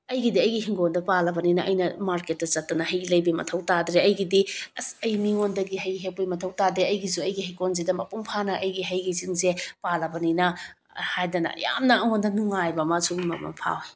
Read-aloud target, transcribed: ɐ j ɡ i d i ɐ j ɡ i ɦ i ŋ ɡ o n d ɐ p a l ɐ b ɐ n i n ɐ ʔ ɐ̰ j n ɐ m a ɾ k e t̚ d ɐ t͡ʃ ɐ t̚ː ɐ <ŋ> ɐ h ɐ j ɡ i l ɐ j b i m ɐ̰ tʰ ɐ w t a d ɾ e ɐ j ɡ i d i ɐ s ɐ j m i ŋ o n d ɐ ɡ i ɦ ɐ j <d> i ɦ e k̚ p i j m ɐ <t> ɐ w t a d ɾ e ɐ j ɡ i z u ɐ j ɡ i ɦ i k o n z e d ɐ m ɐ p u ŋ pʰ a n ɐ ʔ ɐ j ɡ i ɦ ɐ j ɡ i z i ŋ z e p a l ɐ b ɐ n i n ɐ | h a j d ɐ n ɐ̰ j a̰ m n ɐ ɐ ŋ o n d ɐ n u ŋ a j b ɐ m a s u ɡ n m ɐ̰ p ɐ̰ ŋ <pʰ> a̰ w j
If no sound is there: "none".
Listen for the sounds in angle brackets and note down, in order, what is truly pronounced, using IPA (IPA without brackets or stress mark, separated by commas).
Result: n, ɡ, tʰ, pʰ